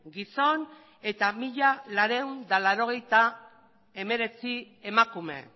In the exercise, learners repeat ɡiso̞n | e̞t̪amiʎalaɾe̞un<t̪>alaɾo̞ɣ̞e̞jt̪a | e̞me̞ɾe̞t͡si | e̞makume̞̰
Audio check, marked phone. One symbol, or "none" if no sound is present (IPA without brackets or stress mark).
d̪